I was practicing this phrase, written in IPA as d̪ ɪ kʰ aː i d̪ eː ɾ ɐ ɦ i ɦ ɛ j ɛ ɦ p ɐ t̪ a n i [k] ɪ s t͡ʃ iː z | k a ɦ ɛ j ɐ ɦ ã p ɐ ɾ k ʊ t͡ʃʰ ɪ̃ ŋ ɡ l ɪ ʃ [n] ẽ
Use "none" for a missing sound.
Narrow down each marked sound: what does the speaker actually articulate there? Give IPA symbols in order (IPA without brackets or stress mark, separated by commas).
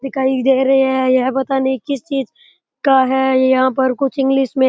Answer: k, m